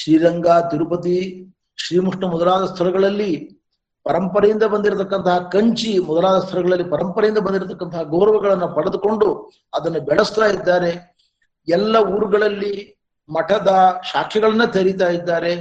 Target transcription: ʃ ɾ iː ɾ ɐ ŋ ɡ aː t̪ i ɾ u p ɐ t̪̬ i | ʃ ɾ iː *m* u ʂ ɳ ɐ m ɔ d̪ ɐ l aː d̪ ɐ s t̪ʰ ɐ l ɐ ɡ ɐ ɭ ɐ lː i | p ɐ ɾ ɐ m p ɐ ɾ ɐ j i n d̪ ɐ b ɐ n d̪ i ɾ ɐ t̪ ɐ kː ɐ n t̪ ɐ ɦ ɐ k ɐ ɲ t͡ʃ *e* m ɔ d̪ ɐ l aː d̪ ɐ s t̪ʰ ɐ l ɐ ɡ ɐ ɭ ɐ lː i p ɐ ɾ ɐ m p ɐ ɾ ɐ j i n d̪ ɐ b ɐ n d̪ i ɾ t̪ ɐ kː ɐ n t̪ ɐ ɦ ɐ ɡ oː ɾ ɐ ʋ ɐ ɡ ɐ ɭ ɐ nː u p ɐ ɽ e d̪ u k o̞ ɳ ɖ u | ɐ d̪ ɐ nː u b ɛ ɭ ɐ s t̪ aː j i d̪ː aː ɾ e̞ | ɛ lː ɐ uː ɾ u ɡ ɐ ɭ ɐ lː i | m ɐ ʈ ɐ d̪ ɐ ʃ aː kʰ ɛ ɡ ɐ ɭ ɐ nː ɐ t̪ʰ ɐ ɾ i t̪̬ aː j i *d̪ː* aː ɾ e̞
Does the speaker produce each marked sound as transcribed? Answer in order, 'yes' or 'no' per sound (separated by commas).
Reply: yes, no, yes